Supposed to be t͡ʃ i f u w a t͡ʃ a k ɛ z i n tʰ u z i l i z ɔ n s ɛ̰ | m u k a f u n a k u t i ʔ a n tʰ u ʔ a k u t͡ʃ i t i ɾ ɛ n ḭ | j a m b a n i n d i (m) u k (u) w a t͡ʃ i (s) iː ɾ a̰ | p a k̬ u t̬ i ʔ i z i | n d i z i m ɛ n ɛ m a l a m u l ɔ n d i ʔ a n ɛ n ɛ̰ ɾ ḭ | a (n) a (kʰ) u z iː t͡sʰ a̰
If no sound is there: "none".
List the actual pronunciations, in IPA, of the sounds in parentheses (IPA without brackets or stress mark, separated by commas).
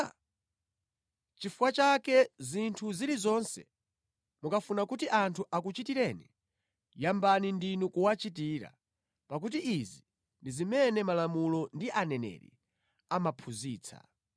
n, u, t, m, pʰ